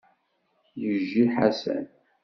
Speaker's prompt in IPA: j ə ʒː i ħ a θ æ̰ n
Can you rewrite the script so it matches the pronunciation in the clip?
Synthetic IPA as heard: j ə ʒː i ħ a s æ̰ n